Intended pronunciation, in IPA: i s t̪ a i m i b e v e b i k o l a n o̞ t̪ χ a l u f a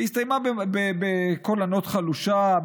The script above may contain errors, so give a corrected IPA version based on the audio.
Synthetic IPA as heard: i s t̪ a j m a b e b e b e k o l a n o̞ t̪ χ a l u ʃ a